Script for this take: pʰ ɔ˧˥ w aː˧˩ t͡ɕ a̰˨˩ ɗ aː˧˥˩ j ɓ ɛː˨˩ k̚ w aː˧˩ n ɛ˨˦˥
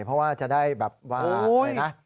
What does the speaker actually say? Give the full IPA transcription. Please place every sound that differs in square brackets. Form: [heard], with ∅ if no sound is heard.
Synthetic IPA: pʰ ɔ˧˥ w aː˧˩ t͡ɕ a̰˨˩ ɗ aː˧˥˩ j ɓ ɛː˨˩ [p̚] w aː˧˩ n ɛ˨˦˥